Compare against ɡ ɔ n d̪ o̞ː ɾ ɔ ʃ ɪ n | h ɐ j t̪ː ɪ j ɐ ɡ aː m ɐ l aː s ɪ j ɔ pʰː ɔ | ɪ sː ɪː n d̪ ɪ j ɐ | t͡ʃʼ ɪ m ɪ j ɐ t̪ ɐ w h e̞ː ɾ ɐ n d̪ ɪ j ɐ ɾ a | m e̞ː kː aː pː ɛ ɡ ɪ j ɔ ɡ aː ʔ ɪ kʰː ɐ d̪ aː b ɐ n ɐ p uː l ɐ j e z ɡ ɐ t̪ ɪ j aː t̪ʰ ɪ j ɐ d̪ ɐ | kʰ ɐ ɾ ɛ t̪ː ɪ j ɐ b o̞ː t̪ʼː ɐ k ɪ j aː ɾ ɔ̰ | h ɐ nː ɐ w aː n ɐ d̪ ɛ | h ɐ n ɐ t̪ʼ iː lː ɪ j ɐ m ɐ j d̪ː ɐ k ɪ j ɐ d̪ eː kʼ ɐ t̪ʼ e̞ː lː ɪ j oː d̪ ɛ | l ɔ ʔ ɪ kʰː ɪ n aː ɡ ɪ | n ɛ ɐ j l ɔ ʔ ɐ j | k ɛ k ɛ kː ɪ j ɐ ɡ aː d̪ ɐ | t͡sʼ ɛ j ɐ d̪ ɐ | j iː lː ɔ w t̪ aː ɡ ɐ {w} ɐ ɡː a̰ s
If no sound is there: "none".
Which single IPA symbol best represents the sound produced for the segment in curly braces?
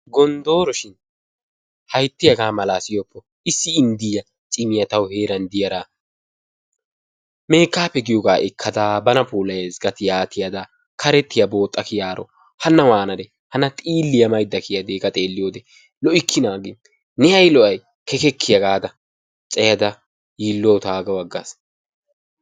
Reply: w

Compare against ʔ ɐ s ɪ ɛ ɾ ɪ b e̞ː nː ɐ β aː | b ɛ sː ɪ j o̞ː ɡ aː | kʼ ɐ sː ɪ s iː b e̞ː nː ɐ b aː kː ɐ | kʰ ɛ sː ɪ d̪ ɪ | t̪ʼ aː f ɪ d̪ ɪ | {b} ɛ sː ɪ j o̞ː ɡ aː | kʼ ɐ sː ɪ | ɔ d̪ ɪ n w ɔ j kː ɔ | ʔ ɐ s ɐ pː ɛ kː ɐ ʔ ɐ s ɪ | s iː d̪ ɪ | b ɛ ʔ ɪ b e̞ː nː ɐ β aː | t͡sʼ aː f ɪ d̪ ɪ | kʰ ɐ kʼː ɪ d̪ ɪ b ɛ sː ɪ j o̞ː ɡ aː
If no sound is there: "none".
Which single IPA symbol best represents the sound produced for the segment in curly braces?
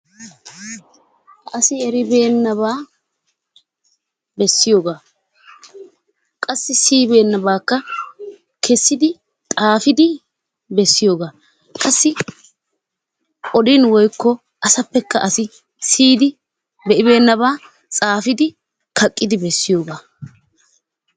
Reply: b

